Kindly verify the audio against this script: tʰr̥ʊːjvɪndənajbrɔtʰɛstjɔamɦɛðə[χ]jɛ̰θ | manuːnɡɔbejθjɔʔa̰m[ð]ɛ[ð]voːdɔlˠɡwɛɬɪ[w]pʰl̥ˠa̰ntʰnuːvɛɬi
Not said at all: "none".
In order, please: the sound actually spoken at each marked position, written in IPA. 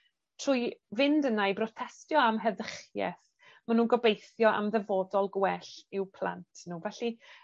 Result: χ, ð, none, w

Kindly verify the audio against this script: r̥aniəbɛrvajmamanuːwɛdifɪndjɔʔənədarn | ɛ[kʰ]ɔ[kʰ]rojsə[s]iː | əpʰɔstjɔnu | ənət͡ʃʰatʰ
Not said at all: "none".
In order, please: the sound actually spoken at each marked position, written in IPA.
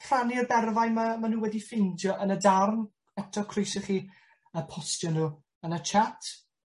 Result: tʰ, kʰ, χ

